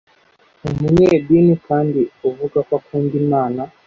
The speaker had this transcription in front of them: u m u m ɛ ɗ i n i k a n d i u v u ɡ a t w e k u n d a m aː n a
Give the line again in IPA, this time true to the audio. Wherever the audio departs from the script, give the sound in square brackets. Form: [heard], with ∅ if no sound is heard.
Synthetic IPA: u m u [ɲ] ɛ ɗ i n i k a n d i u v u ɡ a [k] w [a] k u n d [i] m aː n a